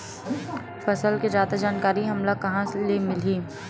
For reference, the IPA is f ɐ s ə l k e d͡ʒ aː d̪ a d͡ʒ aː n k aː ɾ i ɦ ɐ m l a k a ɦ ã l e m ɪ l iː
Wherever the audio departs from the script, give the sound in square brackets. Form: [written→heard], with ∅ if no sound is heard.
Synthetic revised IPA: f ɐ s ə l k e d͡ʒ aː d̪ a d͡ʒ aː n k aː ɾ i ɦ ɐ m l a k [a→ɐ] ɦ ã l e m ɪ l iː